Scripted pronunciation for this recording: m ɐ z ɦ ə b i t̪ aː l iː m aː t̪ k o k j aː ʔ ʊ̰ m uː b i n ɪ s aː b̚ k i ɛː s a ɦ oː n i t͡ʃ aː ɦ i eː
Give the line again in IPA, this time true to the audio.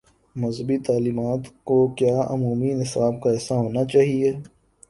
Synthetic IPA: m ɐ z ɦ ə b i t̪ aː l iː m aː t̪ k o k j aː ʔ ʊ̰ m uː m i n ɪ s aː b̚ k a ɛː s a ɦ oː n a t͡ʃ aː ɦ i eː